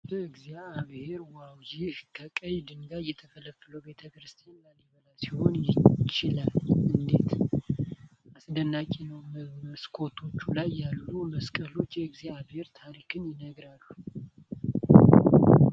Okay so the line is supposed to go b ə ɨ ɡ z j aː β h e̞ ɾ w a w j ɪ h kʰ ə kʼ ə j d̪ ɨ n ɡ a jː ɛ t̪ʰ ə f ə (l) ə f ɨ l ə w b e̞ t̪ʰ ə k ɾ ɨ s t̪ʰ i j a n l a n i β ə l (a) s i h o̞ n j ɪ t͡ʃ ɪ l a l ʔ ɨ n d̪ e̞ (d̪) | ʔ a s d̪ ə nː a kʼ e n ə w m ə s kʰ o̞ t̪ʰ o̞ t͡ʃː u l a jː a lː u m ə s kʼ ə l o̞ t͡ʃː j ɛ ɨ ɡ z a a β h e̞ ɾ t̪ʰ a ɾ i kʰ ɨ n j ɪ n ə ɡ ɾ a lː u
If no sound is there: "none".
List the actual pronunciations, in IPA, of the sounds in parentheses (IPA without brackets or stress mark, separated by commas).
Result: l, a, t̪